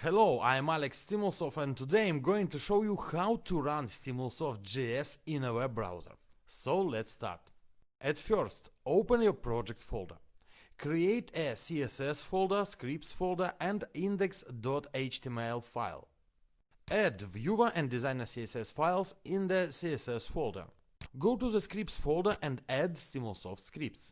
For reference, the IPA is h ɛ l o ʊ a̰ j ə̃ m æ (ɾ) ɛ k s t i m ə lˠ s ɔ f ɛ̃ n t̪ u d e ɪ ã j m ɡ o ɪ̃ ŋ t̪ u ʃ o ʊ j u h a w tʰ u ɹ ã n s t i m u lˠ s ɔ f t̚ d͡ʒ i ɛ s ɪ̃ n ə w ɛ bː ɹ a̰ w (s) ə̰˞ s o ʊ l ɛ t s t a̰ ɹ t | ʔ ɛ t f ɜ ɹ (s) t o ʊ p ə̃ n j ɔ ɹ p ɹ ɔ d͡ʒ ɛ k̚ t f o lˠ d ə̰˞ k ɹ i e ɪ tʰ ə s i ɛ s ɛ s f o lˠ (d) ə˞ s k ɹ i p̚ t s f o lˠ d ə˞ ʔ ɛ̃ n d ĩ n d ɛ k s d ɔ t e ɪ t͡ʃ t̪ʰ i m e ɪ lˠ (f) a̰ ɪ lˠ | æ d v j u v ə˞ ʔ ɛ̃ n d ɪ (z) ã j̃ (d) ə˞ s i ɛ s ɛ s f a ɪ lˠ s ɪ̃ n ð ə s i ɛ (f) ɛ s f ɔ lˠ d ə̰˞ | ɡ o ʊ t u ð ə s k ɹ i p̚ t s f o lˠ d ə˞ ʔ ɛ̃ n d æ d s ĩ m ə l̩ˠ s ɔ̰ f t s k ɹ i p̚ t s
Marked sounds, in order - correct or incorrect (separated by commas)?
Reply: incorrect, incorrect, correct, correct, correct, correct, incorrect, incorrect